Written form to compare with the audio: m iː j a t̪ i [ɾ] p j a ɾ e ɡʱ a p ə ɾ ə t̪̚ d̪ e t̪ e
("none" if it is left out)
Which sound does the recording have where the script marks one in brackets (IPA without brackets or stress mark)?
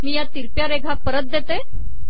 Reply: ɾ